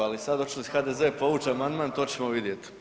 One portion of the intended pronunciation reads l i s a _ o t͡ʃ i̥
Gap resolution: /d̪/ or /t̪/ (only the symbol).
d̪